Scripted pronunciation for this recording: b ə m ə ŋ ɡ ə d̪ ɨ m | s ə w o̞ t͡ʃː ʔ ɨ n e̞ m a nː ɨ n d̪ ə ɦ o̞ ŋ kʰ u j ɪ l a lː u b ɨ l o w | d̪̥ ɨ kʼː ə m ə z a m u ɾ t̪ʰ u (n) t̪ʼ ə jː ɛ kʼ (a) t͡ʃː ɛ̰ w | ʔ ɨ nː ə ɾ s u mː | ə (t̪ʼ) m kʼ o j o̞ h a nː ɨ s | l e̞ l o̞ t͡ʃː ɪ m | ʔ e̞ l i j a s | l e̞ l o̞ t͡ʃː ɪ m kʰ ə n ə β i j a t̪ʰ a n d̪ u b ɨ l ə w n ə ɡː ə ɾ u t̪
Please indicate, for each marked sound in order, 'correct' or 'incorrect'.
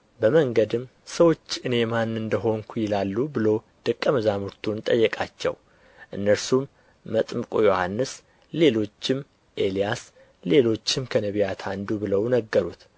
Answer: correct, correct, correct

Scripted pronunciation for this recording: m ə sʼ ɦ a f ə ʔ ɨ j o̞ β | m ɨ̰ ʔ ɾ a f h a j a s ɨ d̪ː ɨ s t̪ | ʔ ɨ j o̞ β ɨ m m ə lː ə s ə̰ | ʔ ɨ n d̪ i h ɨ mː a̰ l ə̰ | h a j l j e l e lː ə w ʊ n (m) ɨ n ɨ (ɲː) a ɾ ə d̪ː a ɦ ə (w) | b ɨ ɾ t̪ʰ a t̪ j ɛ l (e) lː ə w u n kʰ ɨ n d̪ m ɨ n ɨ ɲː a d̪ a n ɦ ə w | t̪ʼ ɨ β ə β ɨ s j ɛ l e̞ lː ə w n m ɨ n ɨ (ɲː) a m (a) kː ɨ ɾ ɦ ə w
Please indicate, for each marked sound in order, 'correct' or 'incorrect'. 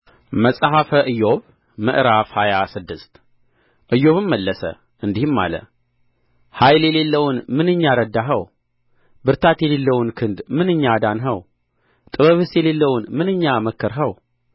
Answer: correct, correct, correct, correct, correct, incorrect

